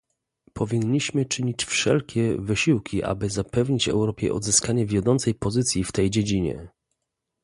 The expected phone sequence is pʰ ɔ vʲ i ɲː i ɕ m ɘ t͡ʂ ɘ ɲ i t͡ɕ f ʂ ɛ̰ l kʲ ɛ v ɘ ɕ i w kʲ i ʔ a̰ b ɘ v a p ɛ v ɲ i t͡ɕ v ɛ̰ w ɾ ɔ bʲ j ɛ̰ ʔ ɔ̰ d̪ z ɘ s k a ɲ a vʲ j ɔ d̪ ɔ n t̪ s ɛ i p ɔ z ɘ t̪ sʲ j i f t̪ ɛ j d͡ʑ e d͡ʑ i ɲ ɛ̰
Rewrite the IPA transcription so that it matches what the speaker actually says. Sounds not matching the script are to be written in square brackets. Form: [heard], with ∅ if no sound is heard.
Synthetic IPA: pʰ ɔ vʲ i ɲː i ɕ m ɘ t͡ʂ ɘ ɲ i t͡ɕ f ʂ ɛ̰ l kʲ ɛ v ɘ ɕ i w kʲ i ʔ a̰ b ɘ [z] a p ɛ v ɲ i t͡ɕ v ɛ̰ w ɾ ɔ [pʲ] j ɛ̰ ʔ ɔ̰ d̪ z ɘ s k a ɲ [ɛ] vʲ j ɔ d̪ ɔ n t̪ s ɛ [j] p ɔ z ɘ t̪ sʲ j i f t̪ ɛ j d͡ʑ e d͡ʑ i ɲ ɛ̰